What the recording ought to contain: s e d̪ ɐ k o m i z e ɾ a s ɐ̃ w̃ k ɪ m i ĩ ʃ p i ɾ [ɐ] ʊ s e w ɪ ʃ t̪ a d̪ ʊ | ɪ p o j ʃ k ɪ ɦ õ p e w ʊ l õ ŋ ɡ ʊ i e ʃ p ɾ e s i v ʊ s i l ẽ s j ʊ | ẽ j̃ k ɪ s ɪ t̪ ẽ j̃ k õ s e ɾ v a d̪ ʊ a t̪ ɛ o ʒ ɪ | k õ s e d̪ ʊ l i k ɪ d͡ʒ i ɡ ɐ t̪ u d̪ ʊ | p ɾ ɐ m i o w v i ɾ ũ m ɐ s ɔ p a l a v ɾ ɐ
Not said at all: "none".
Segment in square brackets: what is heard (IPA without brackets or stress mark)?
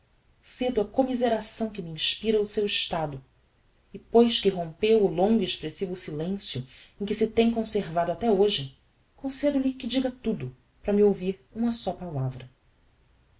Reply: ɐ